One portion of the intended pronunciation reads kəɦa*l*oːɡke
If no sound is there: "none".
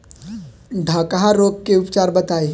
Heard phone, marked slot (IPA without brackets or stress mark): ɾ